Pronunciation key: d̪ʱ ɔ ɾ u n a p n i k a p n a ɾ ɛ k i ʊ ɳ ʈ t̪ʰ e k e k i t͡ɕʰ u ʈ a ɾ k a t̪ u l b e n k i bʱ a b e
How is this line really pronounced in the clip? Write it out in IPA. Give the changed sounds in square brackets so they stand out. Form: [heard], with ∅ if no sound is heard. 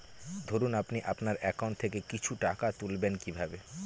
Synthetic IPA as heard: d̪ʱ [o] ɾ u n a p n i [ʔ] a p n a ɾ ɛ k [a] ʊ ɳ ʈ t̪ʰ e k e k i t͡ɕʰ u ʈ a [∅] k a t̪ u l b e n k i bʱ a b e